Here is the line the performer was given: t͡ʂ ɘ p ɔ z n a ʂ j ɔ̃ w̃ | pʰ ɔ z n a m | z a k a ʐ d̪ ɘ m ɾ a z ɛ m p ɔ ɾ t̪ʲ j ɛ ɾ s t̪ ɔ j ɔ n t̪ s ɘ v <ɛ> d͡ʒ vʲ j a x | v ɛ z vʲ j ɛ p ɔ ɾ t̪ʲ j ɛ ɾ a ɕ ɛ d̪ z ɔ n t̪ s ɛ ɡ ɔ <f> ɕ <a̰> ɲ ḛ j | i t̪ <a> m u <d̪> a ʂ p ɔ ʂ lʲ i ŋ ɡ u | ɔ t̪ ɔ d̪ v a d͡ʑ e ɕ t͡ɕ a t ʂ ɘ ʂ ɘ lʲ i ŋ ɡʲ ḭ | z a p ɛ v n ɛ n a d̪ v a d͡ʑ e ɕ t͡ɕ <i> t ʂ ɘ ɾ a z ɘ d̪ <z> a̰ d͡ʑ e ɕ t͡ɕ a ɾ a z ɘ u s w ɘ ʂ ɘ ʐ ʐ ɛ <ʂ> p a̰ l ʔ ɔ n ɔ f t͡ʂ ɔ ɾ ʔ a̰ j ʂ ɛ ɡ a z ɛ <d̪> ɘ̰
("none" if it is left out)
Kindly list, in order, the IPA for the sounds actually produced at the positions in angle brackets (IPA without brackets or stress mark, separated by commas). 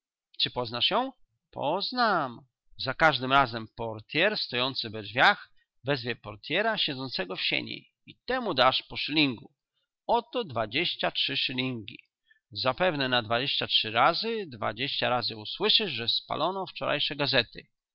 ɛ, f, ḛ, ɛ, d̪, a, v, s, t̪